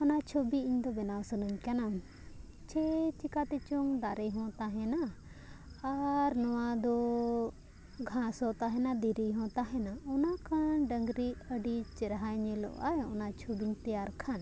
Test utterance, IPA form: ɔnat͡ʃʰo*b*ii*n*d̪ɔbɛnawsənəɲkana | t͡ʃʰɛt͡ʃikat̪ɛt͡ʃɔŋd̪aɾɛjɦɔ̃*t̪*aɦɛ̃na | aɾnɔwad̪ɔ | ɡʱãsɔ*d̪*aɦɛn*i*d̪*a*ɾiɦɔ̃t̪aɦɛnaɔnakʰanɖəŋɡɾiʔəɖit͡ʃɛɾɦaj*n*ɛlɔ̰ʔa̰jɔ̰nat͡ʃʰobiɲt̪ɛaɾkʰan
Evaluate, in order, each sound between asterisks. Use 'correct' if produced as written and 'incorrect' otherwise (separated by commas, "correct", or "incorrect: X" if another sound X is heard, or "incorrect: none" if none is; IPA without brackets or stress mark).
correct, incorrect: ɲ, correct, incorrect: t̪, incorrect: a, incorrect: i, incorrect: ɲ